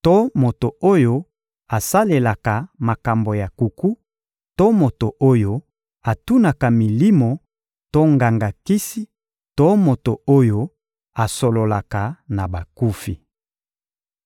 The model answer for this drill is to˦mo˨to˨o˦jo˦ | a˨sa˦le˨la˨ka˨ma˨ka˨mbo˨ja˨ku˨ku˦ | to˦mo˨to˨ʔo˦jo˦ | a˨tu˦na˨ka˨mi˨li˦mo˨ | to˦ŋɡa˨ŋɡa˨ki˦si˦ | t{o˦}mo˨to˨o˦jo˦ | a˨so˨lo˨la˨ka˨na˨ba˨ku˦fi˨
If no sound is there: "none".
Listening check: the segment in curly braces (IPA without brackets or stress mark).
o˦